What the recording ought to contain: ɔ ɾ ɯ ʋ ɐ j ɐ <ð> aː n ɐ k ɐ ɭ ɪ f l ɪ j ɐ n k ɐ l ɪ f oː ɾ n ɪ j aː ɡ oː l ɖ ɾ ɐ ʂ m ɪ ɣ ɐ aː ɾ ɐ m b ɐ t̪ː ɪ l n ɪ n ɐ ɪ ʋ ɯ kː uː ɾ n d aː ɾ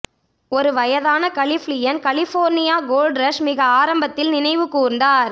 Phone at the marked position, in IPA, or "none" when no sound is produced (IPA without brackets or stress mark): ð